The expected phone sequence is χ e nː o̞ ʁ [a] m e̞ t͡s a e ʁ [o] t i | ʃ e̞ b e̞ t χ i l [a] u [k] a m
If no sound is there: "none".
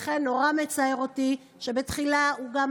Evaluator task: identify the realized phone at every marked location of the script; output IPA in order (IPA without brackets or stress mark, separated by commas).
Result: a, o, a, ɡ